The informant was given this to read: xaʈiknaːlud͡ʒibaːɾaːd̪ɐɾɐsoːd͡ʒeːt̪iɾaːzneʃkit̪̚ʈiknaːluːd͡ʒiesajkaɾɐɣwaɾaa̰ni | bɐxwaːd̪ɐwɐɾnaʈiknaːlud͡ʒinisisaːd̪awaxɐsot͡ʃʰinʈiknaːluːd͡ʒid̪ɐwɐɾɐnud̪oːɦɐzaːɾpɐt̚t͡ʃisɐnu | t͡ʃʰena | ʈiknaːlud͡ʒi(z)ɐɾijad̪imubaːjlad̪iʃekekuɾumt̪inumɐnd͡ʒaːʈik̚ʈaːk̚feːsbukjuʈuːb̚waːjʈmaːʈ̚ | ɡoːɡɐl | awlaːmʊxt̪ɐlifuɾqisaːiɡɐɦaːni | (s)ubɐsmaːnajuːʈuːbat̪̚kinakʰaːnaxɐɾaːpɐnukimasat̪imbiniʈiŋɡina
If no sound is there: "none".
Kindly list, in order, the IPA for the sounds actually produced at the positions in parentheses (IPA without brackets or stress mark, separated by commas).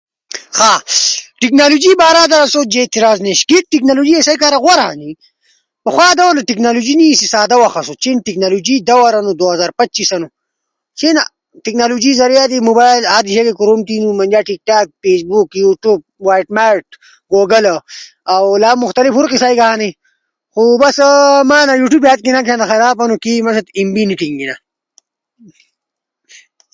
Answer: z, x